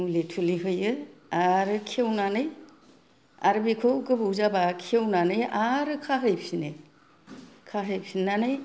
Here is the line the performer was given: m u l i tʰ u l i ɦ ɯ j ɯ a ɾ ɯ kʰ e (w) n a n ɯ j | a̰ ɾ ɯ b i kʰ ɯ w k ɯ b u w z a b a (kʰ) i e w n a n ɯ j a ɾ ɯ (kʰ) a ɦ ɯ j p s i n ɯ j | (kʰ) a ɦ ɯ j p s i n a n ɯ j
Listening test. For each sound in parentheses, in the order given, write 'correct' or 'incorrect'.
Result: correct, correct, correct, correct

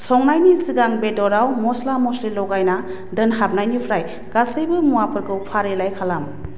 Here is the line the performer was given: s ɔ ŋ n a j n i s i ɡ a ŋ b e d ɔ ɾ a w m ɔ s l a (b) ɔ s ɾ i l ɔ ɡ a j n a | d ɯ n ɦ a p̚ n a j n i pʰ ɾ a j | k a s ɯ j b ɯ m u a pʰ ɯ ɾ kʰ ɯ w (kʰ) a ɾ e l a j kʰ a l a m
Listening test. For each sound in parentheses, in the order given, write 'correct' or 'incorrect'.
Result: incorrect: m, incorrect: pʰ

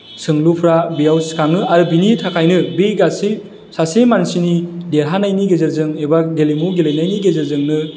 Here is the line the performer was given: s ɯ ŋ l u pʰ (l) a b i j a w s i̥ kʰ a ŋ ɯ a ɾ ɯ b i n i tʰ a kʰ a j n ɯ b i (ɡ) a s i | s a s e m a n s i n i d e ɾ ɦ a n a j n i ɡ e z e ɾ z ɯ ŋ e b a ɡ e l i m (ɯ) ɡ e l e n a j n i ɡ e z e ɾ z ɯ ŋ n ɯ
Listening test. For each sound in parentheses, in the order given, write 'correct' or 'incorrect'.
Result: incorrect: ɾ, correct, incorrect: u

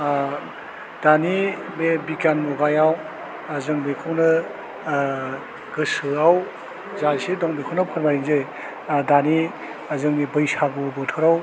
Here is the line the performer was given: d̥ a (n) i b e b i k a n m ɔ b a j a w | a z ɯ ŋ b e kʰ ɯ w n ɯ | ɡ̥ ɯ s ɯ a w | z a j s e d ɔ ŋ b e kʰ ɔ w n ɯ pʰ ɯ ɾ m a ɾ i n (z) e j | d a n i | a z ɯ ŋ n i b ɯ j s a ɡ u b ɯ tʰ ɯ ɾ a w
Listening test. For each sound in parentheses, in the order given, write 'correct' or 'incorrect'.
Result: correct, correct

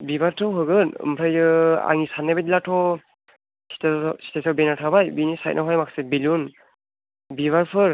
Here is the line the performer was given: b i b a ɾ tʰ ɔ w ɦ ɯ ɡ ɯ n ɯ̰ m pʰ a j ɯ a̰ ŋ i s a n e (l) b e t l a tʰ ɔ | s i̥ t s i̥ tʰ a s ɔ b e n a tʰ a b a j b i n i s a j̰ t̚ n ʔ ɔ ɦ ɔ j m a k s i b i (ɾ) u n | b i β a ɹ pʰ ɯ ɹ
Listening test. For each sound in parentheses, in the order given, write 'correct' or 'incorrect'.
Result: incorrect: none, incorrect: l

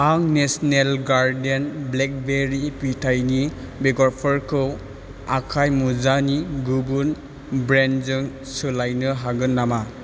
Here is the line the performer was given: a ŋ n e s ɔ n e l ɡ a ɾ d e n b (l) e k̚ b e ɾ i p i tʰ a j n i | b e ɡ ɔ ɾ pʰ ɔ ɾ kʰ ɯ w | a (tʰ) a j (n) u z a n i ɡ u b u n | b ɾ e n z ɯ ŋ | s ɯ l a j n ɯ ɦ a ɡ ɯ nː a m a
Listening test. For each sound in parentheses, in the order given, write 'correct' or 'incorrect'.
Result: correct, incorrect: kʰ, incorrect: m

